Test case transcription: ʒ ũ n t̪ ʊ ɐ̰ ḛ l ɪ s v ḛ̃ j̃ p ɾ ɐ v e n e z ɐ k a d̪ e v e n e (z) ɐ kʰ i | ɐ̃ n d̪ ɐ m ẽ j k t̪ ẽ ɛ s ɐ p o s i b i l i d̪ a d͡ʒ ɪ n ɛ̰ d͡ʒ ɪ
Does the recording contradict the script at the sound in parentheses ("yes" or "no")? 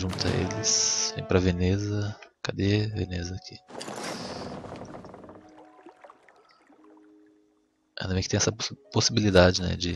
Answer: no